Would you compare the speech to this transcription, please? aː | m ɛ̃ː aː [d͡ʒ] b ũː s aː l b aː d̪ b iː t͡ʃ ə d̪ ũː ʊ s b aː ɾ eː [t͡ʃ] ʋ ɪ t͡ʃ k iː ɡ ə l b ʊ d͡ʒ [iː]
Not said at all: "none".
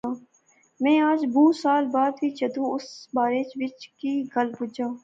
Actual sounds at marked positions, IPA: d͡ʒ, t͡ʃ, aː

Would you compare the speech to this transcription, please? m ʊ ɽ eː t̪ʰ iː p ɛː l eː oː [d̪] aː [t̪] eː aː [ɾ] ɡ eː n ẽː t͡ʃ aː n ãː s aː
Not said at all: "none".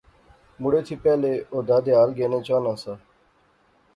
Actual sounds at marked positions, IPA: d̪, d̪, l

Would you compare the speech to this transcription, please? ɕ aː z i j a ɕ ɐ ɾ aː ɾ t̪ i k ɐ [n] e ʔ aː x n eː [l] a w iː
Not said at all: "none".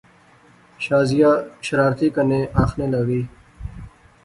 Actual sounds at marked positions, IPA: n, l

